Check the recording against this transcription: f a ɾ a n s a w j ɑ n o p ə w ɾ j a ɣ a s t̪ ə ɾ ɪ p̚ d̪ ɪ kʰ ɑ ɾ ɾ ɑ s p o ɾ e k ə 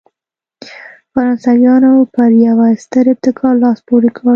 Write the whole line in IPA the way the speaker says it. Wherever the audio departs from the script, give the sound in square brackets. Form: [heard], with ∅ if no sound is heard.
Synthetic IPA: f a ɾ [ɑ] n s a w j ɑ n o p ə [∅] ɾ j a [w] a s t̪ ə ɾ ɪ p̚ [t̪] ɪ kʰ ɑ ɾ [l] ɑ s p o ɾ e k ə